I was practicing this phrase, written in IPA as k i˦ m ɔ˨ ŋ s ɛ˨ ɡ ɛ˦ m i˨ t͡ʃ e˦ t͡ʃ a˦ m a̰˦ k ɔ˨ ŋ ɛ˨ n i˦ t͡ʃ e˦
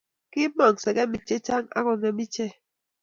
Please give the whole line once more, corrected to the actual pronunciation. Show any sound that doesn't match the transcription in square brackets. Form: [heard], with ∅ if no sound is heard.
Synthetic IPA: k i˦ m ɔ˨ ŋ s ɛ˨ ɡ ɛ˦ m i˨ t͡ʃ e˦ t͡ʃ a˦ [ŋ] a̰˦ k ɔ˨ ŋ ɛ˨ [m] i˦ t͡ʃ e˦